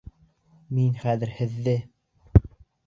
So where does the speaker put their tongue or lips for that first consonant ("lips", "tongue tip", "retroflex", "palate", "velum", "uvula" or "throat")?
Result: lips